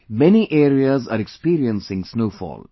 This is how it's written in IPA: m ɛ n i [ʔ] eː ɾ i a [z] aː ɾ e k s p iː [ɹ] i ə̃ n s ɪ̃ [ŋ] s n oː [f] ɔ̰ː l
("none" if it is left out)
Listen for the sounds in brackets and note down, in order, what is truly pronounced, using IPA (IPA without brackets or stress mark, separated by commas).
ʔ, z, ɾ, ŋ, f